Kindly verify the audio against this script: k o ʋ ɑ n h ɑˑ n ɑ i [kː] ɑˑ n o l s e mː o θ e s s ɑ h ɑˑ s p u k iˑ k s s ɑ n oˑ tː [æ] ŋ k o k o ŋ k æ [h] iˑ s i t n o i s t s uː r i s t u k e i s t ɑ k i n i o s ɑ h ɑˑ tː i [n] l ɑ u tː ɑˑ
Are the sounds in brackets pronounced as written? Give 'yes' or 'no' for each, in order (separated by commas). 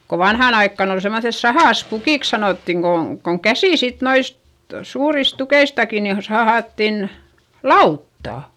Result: yes, no, no, yes